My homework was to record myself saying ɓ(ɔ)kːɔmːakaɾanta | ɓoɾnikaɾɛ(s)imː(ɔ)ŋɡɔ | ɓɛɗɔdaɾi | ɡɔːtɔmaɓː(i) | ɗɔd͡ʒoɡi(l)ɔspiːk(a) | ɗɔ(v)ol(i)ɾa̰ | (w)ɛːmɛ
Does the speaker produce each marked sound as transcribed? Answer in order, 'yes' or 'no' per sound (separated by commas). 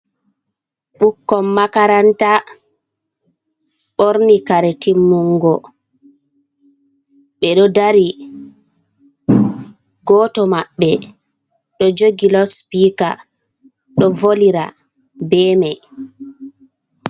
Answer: no, no, no, no, yes, yes, yes, yes, no